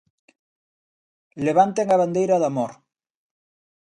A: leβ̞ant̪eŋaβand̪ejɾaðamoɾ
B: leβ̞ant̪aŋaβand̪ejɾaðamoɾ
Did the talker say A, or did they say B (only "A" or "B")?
A